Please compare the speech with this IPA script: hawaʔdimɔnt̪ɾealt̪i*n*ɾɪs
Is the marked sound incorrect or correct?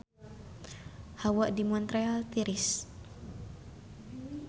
incorrect: none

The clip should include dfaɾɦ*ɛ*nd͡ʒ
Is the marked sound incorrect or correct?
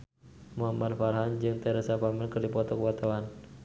incorrect: a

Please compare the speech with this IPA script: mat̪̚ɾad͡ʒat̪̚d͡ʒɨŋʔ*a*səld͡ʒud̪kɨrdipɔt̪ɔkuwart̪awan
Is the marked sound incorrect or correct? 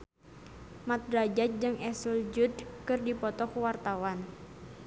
incorrect: ɛ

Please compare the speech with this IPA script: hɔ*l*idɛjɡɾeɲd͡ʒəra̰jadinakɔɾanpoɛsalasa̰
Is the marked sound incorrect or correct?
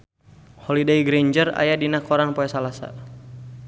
correct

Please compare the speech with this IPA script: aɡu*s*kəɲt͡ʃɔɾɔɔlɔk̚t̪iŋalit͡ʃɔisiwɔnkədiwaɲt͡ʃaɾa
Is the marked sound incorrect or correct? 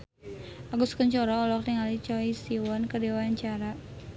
correct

